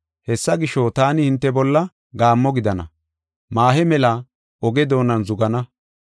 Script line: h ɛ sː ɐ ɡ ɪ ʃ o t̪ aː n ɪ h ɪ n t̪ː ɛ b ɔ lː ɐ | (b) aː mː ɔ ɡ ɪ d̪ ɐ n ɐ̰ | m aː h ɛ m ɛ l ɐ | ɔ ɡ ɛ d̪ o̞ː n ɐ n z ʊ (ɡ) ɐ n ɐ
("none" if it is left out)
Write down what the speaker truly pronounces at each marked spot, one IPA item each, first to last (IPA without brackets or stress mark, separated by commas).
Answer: ɡ, ɡ